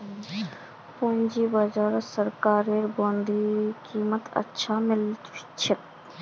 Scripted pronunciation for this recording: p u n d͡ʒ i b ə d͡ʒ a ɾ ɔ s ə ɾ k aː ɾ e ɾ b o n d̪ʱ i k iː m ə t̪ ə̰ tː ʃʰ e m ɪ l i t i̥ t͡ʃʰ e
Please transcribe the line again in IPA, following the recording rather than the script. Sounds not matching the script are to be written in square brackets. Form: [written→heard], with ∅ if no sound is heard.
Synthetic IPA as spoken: p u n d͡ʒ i b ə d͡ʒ a ɾ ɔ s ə ɾ k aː ɾ e ɾ b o n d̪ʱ i k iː m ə t̪ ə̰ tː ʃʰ [e→a] m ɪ l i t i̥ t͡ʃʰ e